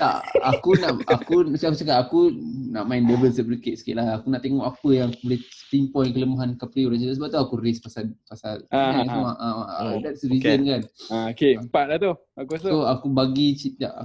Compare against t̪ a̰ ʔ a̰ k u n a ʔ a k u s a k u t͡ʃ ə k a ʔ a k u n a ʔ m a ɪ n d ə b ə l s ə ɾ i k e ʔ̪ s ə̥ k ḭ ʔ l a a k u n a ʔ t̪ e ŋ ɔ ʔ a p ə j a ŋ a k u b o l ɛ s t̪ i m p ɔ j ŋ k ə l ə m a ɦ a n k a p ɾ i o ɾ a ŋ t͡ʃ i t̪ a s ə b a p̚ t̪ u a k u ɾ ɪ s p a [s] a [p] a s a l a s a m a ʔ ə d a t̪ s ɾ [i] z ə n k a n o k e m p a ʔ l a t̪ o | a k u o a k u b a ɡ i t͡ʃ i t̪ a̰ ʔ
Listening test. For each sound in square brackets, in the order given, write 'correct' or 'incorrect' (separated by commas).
correct, correct, correct